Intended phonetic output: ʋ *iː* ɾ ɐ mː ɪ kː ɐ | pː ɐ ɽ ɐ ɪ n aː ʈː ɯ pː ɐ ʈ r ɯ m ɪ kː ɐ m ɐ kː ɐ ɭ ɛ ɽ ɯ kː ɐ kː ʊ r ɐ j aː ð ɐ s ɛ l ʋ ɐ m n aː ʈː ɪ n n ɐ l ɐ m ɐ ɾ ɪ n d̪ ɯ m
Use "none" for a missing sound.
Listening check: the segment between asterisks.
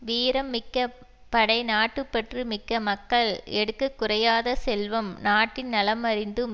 iː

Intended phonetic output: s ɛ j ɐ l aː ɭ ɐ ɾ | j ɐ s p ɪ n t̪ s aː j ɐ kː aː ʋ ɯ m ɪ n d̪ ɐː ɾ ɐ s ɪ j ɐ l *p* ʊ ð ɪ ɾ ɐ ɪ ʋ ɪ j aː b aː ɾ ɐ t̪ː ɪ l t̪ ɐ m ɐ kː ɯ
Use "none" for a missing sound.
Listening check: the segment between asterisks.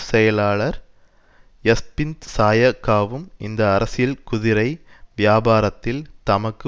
k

